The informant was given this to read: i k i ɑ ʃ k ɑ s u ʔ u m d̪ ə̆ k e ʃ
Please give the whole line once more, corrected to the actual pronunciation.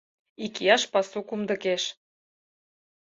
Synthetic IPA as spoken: i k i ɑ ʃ p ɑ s u k u m d̪ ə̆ k e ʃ